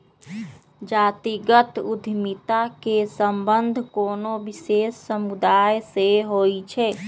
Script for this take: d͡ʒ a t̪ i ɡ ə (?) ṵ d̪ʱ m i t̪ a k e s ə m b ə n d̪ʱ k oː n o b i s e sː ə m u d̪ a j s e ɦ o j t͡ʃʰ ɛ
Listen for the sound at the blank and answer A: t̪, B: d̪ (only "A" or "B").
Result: A